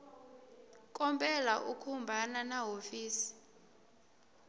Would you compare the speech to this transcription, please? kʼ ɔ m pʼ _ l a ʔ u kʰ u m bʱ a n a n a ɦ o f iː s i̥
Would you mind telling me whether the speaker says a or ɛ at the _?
ɛ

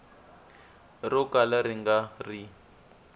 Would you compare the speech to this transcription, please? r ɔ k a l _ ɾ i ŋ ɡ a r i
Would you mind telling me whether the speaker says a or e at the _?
a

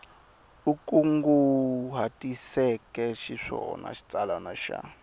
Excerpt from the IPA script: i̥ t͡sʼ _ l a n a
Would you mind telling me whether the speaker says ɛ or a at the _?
a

